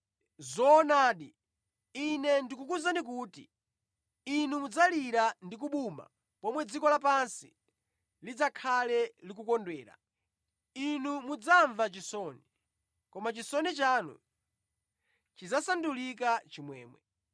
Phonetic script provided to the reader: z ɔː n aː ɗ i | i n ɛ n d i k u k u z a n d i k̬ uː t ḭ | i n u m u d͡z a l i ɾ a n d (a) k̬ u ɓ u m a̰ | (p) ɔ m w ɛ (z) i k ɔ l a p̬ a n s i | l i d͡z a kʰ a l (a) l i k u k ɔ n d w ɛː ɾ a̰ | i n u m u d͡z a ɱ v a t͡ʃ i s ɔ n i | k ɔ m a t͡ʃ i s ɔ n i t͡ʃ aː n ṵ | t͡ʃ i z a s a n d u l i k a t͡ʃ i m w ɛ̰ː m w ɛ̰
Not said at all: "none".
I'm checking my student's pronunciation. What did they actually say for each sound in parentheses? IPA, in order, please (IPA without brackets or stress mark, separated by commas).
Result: i, p, d͡z, ɛ